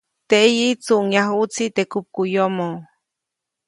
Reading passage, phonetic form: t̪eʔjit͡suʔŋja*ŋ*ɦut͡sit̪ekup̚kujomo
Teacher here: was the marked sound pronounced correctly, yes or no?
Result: no